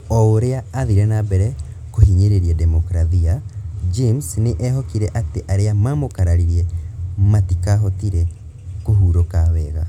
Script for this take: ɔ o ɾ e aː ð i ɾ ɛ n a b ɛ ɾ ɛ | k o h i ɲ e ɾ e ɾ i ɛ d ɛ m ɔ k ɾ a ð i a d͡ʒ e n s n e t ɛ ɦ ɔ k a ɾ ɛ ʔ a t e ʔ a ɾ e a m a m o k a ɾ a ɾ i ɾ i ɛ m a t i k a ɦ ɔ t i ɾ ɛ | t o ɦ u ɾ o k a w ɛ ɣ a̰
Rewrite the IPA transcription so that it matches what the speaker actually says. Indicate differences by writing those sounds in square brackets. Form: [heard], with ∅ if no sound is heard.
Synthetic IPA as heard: ɔ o ɾ e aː ð i ɾ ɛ n a b ɛ ɾ ɛ | k o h i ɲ e ɾ e ɾ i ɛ d ɛ m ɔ k ɾ a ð i a d͡ʒ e [m] s n e [ʔ] ɛ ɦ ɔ k [i] ɾ ɛ ʔ a t e ʔ a ɾ e a m a m o k a ɾ a ɾ i ɾ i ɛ m a t i k a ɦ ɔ t i ɾ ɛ | [k] o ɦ u ɾ o k a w ɛ ɣ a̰

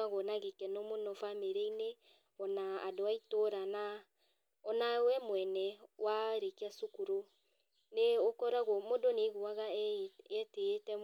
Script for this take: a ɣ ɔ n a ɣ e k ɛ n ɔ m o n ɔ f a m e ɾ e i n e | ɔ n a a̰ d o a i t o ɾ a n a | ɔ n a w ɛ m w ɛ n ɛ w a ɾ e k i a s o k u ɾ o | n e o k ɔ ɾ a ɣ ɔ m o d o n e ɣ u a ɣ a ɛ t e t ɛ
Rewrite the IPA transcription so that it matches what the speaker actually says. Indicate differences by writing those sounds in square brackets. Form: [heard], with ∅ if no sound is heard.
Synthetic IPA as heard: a ɣ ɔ n a ɣ e k ɛ n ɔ m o n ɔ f a m e ɾ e i n e | ɔ n a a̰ d o a i t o ɾ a n a | ɔ n a w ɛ m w ɛ n ɛ w a ɾ e k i a s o k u ɾ o | n e o k ɔ ɾ a ɣ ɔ m o d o n e ɣ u a ɣ a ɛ t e t ɛ

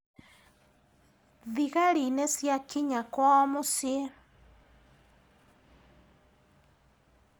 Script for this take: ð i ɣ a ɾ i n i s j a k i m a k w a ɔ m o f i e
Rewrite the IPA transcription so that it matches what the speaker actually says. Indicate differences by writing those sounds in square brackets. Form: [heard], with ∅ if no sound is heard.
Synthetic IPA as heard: ð i ɣ a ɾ i n [e] s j a k i [ɲ] a k w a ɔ m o [s] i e

